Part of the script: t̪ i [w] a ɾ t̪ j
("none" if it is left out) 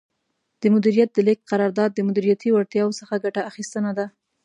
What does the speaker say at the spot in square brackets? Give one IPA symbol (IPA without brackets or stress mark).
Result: w